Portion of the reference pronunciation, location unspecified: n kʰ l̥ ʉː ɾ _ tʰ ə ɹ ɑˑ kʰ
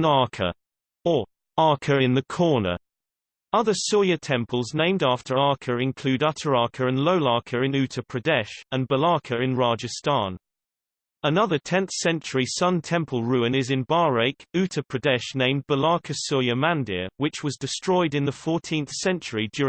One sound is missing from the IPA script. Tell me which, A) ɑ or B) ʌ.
B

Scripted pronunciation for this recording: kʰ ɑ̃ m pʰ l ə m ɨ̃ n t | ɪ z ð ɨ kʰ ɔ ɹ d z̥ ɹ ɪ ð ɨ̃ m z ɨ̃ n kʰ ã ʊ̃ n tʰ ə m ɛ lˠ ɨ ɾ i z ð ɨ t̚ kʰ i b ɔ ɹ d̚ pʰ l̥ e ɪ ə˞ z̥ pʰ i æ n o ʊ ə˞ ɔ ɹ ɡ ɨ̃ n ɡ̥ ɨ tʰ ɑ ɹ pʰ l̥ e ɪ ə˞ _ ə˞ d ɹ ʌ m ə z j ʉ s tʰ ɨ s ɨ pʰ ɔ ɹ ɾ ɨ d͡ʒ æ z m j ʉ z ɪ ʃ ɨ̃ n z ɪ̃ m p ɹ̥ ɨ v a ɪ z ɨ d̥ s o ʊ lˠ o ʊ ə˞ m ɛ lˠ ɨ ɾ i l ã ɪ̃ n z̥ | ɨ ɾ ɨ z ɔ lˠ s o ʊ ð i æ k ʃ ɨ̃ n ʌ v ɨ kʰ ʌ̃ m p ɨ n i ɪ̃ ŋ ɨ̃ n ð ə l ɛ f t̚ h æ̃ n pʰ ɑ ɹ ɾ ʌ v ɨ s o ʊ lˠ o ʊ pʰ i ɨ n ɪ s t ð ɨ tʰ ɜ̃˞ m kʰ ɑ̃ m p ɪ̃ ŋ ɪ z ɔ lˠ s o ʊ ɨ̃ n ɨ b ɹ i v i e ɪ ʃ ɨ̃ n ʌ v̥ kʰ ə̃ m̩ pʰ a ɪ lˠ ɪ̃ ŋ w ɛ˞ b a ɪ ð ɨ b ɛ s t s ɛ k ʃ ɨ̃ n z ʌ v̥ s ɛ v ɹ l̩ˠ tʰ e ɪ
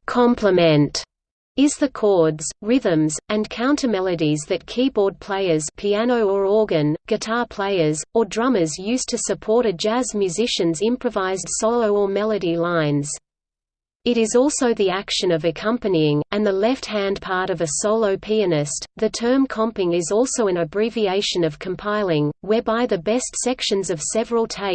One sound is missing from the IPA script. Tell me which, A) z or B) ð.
A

